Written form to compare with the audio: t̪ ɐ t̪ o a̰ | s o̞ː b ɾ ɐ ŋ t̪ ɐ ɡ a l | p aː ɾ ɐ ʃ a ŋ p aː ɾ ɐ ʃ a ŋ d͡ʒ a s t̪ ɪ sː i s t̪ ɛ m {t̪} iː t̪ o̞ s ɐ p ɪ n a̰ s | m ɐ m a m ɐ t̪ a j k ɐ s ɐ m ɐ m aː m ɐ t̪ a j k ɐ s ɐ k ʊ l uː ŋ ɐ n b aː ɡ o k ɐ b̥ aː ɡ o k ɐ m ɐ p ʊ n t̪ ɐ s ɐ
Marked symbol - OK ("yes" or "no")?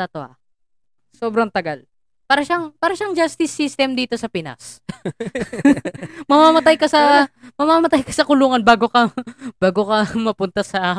no